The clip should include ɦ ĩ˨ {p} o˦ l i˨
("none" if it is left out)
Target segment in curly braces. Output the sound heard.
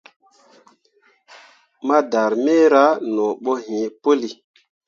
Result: p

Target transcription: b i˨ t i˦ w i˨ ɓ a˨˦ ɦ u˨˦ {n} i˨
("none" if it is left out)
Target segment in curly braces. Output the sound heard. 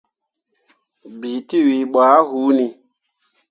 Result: n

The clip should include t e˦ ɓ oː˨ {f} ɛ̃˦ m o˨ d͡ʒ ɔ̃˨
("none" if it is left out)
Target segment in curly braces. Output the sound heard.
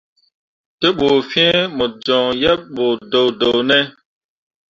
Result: f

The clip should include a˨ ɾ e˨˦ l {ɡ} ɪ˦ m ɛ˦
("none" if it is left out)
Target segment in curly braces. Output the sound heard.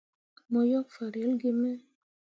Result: ɡ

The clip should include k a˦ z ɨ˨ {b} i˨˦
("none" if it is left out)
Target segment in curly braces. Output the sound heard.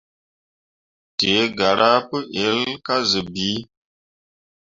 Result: b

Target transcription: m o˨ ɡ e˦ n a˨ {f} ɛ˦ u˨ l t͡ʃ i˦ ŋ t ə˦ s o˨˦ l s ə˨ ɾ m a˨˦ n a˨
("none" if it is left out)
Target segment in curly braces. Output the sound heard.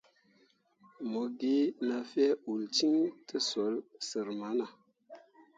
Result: f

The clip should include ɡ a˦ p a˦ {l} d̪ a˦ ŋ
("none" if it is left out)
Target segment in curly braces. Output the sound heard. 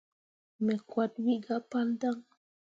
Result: l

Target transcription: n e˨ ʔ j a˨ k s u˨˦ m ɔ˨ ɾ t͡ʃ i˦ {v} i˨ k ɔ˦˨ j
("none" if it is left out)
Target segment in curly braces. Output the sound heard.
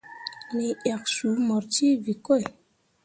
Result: v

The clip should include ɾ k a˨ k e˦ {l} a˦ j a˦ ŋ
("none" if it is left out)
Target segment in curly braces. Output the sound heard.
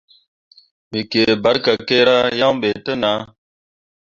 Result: ɾ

